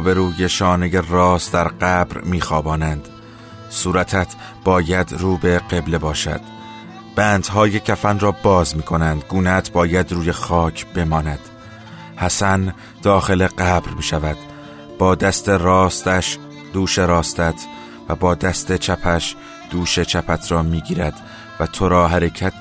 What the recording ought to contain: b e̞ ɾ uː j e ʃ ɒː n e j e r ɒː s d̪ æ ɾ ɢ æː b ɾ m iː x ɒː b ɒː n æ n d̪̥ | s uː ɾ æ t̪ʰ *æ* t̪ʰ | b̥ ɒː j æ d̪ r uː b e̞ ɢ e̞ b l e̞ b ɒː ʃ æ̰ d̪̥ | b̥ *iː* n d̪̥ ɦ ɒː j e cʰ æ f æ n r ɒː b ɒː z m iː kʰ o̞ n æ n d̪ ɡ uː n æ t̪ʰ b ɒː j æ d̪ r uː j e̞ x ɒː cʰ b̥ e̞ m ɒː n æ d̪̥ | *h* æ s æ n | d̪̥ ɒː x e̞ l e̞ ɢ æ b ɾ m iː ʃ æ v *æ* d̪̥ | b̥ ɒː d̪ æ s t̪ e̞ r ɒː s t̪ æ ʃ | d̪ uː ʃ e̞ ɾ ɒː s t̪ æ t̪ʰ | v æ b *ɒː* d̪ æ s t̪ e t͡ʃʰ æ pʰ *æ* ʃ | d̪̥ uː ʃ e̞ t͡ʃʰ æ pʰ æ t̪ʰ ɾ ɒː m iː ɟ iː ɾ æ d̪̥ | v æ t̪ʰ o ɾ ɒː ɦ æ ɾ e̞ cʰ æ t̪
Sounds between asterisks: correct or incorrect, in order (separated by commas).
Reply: correct, incorrect, correct, correct, correct, correct